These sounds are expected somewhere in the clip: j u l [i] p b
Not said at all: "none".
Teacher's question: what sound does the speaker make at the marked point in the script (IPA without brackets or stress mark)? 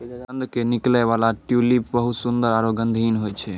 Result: i